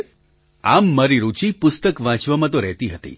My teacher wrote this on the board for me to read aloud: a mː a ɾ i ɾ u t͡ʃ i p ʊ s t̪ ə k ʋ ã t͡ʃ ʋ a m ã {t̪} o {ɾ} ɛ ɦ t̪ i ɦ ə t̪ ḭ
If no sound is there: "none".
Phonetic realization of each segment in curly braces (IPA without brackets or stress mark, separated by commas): t̪, ɾ